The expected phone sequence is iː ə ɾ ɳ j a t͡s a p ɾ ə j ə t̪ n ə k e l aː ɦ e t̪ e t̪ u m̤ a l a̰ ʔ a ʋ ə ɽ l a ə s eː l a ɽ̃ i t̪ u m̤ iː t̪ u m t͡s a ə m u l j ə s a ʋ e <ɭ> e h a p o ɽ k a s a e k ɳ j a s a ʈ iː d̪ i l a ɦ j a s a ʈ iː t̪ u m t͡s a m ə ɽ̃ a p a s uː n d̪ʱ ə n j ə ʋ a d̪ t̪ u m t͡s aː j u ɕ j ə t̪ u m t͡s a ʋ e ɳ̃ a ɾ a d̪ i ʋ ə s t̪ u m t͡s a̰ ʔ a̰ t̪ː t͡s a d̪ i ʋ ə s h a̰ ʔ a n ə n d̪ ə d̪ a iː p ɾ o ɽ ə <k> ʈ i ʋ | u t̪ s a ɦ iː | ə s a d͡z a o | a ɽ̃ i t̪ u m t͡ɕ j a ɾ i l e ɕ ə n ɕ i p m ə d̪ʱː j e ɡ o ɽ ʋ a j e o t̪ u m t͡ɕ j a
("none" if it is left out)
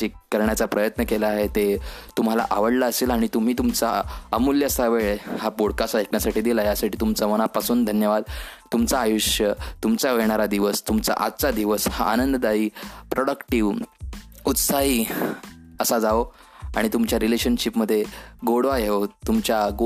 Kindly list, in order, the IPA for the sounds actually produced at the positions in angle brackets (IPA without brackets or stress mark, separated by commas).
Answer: ɭ, k